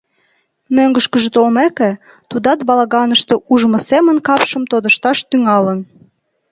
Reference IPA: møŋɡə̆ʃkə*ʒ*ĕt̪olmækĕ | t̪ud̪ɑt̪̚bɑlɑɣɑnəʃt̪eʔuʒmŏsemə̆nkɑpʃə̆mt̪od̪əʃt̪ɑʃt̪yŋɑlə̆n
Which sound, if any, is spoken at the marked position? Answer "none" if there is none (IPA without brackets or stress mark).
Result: ʒ